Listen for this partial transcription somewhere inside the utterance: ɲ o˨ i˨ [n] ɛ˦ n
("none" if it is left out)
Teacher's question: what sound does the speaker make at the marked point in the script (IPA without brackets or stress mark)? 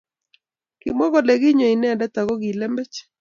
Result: n